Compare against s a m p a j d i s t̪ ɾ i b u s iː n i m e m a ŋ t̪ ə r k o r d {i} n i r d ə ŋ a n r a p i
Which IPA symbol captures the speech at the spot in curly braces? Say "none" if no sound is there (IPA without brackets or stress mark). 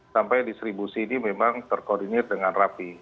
i